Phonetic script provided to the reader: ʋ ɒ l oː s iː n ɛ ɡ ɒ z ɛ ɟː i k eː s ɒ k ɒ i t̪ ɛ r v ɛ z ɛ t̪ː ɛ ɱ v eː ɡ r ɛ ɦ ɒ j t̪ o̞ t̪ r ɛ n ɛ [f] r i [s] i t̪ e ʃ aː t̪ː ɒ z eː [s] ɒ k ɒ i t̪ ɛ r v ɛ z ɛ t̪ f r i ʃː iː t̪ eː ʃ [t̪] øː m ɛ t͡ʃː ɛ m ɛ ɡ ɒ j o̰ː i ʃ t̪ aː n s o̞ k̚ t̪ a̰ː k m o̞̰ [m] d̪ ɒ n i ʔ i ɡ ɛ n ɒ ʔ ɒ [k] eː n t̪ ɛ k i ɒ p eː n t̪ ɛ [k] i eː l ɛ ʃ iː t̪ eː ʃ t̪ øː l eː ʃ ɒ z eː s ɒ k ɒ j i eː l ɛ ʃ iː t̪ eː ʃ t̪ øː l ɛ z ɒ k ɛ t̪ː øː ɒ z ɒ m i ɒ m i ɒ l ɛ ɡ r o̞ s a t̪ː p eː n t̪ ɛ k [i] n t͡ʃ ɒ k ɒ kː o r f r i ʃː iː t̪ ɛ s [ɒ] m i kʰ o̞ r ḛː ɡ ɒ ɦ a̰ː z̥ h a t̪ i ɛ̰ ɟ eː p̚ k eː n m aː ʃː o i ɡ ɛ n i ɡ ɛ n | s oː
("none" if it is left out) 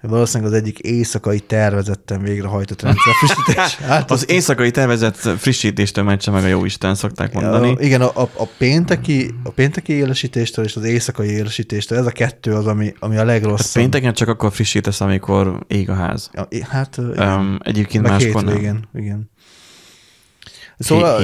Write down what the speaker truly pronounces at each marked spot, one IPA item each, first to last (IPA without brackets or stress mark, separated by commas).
f, ʃ, s, t̪, n, p, k, ɛ, ɒ